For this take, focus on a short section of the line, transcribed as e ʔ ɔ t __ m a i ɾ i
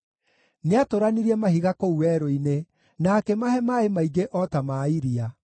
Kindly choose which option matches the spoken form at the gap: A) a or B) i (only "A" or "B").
A